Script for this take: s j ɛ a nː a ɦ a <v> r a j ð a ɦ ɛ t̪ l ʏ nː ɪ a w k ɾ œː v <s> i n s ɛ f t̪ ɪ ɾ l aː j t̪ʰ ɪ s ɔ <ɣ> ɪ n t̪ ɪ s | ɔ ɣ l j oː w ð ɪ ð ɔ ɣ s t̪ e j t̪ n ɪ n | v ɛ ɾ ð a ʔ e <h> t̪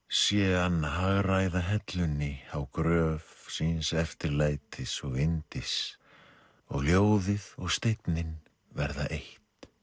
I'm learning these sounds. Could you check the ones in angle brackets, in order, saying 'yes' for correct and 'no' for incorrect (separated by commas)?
no, yes, yes, yes